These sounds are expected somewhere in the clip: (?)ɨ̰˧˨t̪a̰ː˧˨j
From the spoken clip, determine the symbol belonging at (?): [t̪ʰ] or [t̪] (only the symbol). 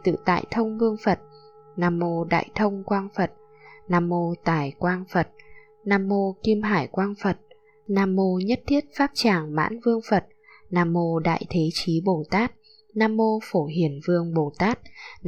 t̪